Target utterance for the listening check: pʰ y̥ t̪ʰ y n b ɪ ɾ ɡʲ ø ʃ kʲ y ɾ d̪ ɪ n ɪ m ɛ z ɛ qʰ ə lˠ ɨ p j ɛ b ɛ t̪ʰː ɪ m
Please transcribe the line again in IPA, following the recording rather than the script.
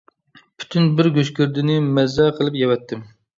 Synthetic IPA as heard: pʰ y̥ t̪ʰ y n b ɪ ɾ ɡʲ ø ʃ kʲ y ɾ d̪ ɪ n ɪ m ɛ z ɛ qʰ ə lˠ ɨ p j ɛ w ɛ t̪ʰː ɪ m